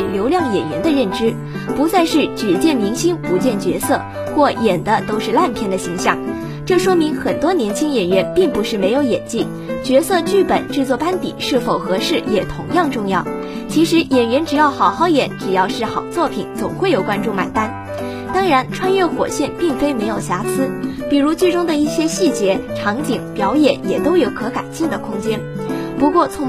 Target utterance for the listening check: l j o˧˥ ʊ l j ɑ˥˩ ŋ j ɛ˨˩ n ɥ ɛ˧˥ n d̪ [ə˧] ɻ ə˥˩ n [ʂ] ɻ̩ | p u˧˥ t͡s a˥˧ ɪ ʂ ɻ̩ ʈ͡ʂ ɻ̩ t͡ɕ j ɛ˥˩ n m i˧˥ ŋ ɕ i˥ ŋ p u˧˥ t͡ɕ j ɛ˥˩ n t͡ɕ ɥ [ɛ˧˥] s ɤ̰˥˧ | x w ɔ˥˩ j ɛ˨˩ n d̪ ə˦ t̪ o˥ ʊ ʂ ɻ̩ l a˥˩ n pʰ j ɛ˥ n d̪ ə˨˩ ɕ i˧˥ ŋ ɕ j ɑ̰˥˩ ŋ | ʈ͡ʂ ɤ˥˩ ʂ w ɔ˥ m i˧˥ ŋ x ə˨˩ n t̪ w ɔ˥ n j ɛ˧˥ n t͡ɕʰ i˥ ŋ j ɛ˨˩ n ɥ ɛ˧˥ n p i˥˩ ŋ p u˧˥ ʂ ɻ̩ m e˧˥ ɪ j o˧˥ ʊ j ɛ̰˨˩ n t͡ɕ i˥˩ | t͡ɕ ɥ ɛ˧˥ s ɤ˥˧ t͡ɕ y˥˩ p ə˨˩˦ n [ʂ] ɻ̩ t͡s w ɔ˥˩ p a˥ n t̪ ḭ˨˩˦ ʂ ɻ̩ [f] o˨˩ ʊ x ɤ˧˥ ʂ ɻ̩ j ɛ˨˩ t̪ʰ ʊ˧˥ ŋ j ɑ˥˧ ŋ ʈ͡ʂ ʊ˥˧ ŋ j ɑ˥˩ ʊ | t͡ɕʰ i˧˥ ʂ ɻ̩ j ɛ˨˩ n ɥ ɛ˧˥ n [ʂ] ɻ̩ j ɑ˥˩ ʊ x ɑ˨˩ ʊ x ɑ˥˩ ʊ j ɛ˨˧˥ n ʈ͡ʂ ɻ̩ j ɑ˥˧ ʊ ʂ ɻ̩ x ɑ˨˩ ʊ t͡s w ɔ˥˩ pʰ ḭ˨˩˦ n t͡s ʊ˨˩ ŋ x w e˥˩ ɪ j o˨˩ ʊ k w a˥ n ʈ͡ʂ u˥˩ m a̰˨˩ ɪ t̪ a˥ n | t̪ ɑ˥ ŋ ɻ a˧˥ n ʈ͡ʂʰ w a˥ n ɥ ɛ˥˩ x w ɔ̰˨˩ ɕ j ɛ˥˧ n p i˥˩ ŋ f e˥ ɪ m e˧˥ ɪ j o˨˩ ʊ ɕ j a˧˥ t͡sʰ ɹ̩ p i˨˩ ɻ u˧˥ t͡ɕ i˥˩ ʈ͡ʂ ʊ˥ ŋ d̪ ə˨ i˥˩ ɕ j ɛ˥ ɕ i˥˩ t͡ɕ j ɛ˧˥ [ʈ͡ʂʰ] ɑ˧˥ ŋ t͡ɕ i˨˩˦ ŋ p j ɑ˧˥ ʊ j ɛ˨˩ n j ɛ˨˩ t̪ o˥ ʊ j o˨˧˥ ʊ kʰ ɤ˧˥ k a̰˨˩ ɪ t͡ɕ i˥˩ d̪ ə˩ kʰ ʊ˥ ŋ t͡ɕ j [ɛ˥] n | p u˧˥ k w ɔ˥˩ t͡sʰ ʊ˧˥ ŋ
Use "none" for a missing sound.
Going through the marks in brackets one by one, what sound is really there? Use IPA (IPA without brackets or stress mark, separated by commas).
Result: ə˧, ʈ͡ʂ, ɛ˧˥, ʈ͡ʂ, f, ʈ͡ʂ, ʈ͡ʂʰ, ɛ˥